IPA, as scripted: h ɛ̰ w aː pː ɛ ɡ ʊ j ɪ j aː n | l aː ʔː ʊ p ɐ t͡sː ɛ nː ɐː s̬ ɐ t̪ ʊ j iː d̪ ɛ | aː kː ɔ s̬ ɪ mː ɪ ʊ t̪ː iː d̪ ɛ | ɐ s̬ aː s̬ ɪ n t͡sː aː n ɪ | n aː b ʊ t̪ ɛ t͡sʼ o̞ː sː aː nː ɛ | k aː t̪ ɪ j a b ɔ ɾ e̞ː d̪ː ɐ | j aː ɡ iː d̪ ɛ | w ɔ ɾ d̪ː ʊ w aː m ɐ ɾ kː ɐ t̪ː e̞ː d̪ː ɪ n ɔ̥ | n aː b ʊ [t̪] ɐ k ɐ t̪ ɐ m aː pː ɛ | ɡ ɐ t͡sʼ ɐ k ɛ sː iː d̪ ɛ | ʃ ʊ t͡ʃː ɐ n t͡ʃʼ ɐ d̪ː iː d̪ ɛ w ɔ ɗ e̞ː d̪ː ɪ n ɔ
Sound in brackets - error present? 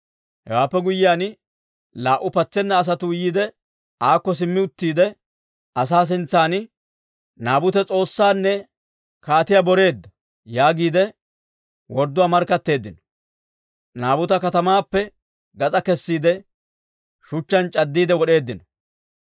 no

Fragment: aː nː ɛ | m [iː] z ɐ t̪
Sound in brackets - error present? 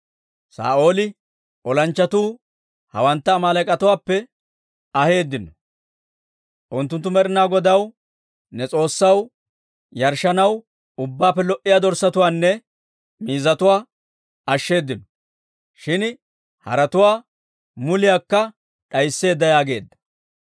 no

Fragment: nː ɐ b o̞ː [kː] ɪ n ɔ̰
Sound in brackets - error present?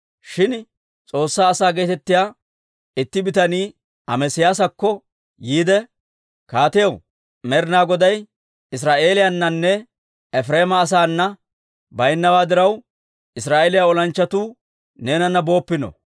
yes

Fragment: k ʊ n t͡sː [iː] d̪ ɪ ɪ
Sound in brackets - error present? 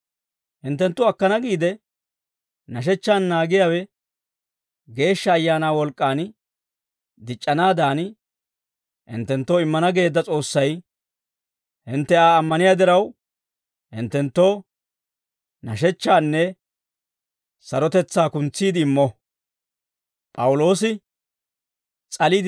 no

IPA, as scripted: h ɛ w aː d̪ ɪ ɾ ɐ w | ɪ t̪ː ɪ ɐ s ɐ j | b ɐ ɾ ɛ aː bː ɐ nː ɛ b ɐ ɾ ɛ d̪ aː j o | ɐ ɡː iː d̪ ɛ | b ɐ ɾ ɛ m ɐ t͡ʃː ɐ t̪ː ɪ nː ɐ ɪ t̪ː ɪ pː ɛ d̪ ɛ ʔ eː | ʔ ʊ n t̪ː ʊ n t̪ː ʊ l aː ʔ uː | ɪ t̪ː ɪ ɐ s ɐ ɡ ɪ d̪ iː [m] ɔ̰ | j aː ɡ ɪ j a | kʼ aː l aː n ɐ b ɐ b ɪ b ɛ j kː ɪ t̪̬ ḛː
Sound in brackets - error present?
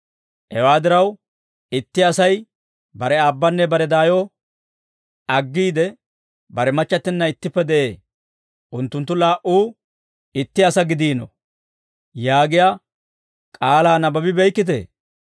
yes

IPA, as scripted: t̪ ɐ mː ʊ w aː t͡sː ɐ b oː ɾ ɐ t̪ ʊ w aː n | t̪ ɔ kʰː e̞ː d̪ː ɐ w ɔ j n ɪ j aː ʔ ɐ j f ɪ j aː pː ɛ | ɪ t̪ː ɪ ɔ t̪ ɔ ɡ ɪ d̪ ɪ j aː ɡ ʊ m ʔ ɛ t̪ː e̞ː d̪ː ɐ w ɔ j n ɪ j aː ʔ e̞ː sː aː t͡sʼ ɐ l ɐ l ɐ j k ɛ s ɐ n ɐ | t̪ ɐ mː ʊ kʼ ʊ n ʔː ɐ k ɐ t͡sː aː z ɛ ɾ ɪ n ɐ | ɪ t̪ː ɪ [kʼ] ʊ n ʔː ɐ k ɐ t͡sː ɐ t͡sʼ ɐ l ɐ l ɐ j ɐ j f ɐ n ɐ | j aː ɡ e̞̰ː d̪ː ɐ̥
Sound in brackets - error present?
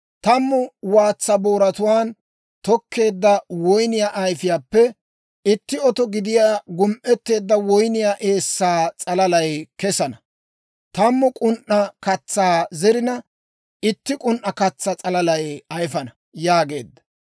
no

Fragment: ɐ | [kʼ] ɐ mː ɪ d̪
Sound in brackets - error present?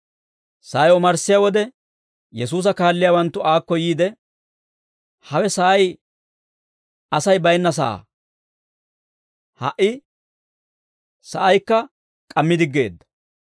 no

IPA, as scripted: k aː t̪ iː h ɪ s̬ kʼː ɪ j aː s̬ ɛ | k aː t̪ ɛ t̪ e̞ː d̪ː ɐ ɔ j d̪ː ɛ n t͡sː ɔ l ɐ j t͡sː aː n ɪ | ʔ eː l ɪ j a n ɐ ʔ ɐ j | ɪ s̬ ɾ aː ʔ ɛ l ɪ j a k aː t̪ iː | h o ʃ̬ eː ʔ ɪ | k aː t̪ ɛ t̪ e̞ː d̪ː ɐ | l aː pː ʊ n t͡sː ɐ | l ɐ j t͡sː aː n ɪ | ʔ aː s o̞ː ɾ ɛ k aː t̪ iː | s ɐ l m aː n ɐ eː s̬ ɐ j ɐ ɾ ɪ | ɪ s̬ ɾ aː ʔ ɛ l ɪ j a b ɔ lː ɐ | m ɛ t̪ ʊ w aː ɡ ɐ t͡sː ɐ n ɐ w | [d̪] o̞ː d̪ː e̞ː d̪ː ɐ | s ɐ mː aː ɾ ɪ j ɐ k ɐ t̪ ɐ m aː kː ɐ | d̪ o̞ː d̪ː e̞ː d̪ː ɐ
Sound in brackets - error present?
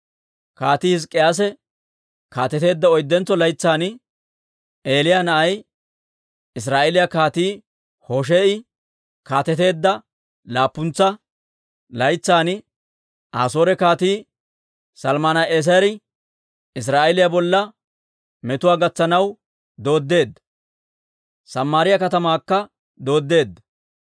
no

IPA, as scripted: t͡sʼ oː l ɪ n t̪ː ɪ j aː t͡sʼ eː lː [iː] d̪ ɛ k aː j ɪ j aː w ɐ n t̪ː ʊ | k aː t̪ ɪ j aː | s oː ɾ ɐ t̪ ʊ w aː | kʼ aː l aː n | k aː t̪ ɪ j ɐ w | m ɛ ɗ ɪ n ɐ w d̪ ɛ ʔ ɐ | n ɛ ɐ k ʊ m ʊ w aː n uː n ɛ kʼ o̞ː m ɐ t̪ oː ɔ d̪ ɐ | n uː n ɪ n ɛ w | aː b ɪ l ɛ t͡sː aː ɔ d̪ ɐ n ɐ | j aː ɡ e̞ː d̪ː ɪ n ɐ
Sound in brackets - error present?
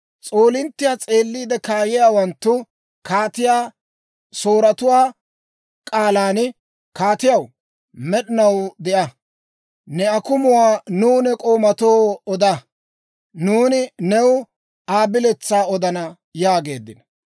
no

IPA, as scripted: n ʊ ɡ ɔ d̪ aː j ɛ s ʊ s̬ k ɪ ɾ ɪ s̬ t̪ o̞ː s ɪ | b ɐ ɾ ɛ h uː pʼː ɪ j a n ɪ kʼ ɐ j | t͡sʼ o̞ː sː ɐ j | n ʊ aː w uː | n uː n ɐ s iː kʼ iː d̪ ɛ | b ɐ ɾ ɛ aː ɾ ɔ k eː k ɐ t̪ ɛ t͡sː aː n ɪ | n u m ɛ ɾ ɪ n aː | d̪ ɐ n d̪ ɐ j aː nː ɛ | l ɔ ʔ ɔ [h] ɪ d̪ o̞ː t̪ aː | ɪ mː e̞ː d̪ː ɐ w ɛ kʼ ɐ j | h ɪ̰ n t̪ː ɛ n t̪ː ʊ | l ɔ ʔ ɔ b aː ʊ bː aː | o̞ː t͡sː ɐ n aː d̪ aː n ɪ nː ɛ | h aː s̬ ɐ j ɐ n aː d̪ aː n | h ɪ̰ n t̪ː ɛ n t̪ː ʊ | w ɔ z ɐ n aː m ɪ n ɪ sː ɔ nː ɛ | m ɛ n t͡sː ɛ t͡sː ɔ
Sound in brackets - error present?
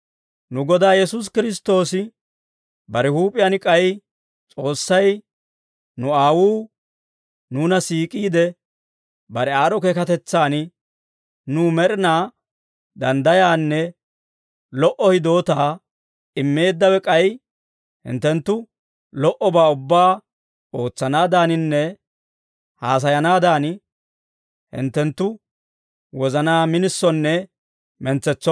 no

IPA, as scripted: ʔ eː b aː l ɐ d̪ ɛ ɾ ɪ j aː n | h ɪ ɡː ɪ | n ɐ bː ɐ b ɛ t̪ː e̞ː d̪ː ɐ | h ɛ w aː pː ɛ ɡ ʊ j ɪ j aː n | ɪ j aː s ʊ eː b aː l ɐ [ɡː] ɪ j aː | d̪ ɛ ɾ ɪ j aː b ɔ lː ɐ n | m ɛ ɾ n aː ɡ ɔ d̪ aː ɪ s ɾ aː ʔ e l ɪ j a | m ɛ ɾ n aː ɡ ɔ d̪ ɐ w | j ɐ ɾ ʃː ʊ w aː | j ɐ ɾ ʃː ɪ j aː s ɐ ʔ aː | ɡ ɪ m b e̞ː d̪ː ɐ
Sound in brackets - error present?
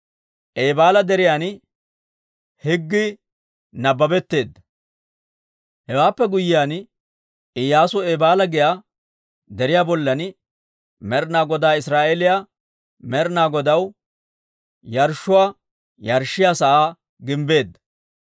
yes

